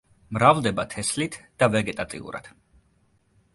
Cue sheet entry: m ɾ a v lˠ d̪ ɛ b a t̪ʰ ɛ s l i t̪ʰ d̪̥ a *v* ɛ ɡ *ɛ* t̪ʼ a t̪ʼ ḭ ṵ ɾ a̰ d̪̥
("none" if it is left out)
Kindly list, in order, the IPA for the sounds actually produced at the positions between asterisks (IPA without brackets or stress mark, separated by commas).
v, ɛ